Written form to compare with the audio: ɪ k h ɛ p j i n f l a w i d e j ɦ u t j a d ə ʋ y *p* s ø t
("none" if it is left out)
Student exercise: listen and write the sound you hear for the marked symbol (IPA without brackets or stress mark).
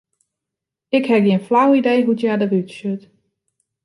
t